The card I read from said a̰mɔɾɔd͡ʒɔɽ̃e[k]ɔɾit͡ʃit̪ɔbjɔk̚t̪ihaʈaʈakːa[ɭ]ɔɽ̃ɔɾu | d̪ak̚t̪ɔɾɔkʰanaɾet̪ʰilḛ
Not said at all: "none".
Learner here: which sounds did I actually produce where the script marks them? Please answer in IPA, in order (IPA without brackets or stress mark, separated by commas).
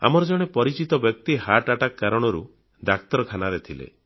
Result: p, ɾ